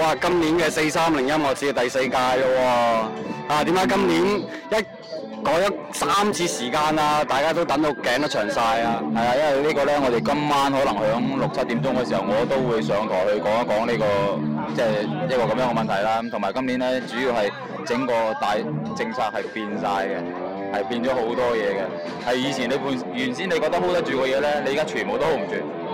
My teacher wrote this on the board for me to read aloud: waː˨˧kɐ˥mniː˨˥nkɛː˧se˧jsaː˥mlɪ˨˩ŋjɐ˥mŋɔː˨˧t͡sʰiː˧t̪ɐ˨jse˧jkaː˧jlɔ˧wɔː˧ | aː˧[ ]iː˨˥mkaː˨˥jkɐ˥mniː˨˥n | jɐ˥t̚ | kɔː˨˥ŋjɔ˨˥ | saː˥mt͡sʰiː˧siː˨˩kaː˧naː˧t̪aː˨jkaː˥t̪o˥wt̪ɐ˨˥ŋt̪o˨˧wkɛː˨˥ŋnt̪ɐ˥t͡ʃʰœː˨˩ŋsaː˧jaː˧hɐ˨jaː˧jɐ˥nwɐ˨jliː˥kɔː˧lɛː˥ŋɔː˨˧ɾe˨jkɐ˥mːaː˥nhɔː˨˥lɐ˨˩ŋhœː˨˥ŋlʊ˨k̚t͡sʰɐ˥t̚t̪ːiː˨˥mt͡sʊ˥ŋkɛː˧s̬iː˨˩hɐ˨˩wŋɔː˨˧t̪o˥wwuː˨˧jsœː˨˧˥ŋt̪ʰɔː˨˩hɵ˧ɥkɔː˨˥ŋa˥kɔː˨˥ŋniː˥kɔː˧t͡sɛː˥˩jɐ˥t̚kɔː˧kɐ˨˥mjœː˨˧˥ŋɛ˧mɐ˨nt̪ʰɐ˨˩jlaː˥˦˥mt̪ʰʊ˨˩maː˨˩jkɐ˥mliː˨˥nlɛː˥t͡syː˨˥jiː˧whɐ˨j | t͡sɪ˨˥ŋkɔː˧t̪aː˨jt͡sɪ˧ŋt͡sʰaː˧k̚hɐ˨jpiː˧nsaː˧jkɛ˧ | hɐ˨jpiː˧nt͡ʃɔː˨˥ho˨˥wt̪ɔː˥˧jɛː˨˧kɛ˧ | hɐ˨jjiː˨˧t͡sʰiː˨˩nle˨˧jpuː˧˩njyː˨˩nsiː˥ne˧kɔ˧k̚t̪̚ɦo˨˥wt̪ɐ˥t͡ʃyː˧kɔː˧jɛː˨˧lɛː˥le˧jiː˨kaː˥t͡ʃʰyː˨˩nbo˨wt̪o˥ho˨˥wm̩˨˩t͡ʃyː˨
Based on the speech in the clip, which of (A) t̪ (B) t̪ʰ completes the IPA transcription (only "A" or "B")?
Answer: A